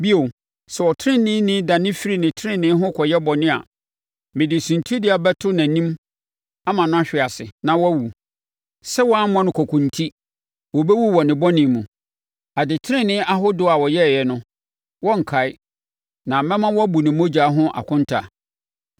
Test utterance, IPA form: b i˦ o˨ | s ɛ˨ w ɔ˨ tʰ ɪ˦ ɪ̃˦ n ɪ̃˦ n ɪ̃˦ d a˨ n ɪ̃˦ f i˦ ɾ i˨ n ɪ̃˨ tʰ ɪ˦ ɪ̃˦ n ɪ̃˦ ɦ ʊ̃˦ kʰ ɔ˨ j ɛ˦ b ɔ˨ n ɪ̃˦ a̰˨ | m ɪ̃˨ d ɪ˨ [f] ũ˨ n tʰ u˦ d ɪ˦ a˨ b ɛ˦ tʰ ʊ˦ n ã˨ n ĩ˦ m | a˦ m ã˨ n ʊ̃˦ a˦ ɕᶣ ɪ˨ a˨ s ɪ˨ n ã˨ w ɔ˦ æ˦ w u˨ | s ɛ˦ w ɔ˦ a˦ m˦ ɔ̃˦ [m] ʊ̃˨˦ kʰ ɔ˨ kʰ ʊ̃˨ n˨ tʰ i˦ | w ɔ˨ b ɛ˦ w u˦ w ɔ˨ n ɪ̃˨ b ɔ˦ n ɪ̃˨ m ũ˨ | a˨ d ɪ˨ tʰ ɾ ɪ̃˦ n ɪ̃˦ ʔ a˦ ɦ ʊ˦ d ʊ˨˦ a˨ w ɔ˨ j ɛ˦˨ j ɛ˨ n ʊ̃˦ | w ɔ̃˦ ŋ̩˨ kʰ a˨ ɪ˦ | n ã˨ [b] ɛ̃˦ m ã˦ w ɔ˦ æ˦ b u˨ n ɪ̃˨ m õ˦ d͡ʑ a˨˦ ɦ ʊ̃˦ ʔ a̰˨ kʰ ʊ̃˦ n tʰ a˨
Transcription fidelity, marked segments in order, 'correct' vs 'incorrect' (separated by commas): incorrect, incorrect, incorrect